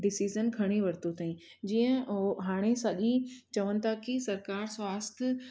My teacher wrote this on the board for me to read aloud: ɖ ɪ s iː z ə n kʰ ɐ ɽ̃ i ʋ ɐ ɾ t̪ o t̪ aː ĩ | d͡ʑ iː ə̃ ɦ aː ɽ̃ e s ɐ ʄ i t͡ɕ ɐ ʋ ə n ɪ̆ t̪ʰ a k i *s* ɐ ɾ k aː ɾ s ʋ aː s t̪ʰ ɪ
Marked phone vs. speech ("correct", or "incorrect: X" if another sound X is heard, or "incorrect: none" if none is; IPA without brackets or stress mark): correct